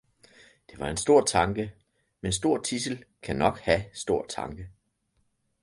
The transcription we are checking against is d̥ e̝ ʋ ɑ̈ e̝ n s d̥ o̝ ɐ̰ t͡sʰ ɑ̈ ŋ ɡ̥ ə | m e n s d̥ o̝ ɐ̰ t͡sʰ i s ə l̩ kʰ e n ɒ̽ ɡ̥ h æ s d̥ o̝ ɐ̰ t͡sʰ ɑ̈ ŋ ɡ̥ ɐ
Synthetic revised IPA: d̥ e̝ ʋ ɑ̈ e̝ n s d̥ o̝ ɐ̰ t͡sʰ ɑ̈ ŋ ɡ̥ ə | m e n s d̥ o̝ ɐ̰ t͡sʰ i s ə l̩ kʰ æ n ɒ̽ ɡ̥ h æ s d̥ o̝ ɐ̰ t͡sʰ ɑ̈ ŋ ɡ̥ ə